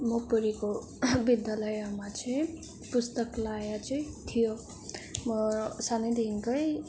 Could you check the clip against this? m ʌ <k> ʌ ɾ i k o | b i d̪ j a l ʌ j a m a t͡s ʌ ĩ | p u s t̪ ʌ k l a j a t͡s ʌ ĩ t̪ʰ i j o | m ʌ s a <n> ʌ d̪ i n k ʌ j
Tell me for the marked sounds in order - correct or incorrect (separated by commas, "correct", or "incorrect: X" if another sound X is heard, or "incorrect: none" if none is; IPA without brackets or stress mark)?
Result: incorrect: p, correct